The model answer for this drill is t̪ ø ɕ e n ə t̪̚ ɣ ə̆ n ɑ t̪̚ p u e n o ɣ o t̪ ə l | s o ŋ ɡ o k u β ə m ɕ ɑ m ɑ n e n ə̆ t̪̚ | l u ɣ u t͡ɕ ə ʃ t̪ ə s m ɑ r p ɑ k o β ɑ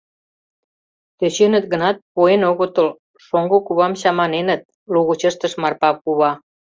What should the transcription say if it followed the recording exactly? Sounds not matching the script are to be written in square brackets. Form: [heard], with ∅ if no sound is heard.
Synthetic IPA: t̪ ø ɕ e n ə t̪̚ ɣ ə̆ n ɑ t̪̚ p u e n o ɣ o t̪ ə l | [ʃ] o ŋ ɡ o k u β [ɑ] m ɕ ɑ m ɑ n e n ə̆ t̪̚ | l u ɣ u t͡ɕ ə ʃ t̪ ə [ʃ] m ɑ r p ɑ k [u] β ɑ